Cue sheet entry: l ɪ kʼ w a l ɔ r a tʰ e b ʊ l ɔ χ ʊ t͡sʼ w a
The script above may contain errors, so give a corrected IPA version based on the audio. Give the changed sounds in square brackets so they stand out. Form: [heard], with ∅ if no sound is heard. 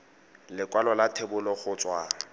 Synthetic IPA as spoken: l ɪ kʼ w a l ɔ [l] a tʰ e b ʊ l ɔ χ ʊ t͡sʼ w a